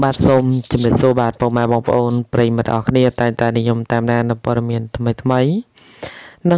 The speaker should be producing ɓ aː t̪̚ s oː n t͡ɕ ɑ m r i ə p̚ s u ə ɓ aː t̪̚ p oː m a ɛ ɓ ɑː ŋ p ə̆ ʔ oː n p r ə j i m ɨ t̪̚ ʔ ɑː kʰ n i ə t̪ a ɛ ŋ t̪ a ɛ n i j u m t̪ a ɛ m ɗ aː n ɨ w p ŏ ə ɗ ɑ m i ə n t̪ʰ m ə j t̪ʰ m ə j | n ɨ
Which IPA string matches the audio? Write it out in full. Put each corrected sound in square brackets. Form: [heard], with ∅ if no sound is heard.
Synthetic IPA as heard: ɓ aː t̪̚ s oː [m] t͡ɕ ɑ m r i ə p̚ s u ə ɓ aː t̪̚ p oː m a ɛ ɓ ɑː ŋ p ə̆ ʔ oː n p r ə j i m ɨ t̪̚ ʔ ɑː kʰ n i ə t̪ a ɛ ŋ t̪ a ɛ n i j u m t̪ a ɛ m ɗ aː n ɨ w p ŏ ə ɗ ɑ m i ə n t̪ʰ m ə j t̪ʰ m ə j | n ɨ